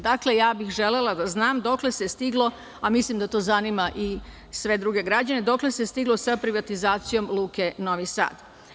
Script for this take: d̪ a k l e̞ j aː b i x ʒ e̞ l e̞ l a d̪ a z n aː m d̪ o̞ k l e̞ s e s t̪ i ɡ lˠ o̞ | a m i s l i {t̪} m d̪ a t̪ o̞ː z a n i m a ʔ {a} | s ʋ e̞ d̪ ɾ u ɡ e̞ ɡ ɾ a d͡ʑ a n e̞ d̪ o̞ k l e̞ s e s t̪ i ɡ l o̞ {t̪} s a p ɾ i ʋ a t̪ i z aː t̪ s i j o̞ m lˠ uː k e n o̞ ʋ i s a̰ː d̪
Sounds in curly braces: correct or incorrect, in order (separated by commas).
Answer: incorrect, incorrect, incorrect